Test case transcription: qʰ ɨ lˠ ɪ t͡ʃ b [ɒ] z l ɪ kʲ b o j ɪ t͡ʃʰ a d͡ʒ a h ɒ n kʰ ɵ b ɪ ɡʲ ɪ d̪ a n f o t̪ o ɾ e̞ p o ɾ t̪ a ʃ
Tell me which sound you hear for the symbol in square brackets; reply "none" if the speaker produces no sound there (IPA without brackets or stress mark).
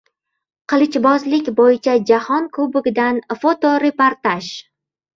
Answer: ɒ